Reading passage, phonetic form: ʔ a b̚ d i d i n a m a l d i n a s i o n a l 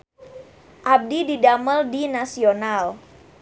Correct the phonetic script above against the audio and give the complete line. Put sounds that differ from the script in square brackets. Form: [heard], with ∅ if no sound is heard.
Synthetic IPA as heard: ʔ a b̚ d i d i [d] a m [ə] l d i n a s i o n a l